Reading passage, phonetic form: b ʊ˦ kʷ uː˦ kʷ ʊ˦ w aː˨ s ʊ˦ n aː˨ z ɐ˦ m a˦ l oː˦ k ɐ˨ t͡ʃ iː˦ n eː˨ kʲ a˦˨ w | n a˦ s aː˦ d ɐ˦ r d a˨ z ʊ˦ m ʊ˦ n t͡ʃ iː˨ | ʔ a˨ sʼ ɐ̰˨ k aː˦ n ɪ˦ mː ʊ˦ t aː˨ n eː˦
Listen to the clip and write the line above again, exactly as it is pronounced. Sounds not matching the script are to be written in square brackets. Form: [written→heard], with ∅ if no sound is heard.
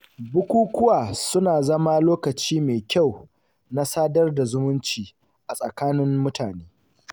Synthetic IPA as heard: b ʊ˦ kʷ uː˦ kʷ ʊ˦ w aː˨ s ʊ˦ n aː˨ z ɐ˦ m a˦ l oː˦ k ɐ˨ t͡ʃ iː˦ [n→m] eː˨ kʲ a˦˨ w | n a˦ s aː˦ d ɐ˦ r d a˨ z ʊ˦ m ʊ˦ n t͡ʃ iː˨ | ʔ a˨ sʼ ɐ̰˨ k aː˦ n ɪ˦ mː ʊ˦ t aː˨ n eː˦